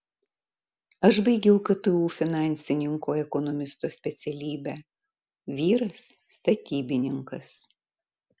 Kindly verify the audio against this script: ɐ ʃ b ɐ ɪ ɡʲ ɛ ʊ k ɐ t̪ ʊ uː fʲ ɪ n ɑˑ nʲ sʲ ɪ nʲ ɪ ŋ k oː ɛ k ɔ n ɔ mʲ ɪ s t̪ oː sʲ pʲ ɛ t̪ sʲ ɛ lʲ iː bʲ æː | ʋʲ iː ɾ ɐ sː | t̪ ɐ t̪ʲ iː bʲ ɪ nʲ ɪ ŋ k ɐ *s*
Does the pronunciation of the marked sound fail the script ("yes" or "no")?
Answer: no